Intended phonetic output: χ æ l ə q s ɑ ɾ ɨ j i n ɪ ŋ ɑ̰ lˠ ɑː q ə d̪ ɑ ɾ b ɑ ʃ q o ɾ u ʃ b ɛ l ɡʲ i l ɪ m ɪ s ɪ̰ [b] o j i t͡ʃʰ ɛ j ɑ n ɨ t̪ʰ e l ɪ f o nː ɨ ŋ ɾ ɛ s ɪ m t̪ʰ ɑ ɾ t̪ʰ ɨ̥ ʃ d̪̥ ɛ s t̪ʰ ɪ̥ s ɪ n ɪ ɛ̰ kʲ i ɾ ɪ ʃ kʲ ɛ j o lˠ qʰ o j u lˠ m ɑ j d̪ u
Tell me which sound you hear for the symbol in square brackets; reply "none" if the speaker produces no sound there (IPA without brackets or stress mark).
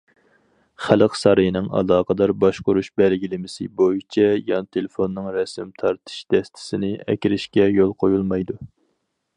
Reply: b